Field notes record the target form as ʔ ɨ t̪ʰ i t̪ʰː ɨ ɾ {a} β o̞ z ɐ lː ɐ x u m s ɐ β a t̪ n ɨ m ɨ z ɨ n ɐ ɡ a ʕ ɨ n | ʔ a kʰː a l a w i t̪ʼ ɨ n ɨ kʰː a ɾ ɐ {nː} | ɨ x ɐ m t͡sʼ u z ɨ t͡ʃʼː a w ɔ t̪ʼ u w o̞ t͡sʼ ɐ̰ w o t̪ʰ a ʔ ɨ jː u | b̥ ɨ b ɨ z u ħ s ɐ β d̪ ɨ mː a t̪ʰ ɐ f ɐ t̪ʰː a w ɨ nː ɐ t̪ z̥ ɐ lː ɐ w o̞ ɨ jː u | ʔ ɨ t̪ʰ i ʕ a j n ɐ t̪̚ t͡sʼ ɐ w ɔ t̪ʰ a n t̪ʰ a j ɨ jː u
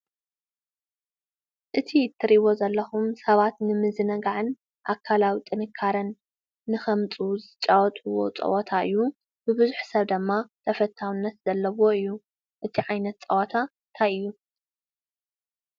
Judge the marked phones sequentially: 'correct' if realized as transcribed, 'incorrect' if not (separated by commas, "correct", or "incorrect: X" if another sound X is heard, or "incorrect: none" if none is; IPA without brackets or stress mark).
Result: incorrect: i, correct